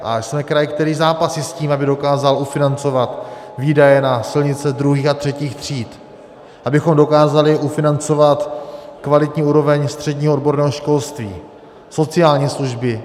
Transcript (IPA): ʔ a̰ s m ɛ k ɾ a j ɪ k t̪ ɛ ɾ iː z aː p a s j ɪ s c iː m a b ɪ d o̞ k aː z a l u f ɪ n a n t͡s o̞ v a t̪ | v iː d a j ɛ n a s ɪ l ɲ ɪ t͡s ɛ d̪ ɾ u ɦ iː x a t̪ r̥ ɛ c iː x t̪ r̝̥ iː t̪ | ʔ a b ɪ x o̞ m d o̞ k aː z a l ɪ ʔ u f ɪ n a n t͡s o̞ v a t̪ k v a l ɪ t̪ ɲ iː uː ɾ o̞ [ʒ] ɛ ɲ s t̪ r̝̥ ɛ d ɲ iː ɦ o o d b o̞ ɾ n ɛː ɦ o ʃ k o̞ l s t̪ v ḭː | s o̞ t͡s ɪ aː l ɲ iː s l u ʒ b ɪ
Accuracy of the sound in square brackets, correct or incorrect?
incorrect